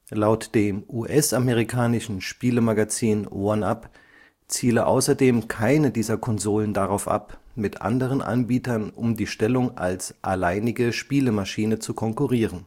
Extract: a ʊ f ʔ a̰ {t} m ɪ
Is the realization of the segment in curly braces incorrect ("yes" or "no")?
yes